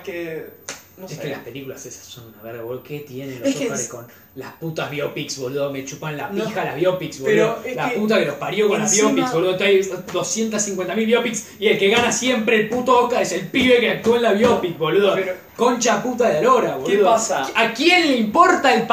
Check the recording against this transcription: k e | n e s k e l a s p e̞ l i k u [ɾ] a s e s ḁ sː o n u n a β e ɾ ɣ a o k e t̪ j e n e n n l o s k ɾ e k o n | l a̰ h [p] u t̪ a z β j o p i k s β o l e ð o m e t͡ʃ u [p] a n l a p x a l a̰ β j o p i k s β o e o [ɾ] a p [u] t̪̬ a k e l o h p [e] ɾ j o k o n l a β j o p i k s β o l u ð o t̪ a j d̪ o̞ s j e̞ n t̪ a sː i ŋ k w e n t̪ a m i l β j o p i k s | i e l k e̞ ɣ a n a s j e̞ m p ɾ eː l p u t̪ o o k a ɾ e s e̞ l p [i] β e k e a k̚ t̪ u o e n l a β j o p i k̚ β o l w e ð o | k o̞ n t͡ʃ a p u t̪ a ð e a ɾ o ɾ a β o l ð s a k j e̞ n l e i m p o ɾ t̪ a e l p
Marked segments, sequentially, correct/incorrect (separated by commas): incorrect, correct, correct, incorrect, correct, incorrect, correct